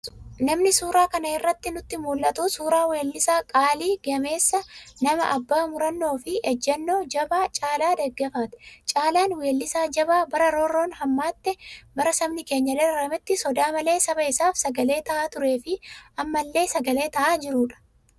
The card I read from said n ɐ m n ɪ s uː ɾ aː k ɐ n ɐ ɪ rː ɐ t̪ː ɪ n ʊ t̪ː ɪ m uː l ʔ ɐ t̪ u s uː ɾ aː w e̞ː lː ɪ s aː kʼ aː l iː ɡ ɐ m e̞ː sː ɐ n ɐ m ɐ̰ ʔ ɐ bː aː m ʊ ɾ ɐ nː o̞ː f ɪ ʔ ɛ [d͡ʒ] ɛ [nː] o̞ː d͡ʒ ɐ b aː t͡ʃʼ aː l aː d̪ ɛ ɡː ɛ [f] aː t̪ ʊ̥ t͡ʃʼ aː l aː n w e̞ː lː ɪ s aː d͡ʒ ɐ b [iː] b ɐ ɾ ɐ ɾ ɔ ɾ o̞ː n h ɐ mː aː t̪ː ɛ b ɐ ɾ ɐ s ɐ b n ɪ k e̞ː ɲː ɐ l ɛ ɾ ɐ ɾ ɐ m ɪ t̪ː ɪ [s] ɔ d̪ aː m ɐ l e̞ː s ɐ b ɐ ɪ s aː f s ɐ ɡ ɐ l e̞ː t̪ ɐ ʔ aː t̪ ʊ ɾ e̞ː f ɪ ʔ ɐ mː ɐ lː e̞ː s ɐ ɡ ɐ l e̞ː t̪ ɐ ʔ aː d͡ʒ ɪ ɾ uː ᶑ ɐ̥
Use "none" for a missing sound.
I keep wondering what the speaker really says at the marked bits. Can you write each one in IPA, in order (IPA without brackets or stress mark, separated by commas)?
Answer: d͡ʒː, nː, f, aː, s